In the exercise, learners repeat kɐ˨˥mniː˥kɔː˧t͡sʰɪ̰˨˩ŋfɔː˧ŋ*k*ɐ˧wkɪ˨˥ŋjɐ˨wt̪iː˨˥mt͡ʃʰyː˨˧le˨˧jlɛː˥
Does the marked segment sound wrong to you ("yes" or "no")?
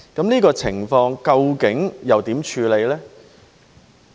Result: no